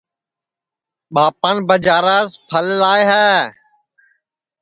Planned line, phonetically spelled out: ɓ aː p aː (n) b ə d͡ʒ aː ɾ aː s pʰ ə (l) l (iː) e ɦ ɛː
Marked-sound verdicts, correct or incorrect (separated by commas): correct, correct, incorrect